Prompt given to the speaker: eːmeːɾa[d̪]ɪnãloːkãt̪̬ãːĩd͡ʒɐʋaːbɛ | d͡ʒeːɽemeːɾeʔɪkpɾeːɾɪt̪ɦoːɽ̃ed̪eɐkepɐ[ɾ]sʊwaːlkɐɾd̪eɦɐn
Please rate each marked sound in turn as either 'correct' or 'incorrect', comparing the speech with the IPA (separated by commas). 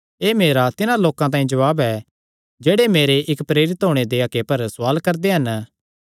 incorrect, correct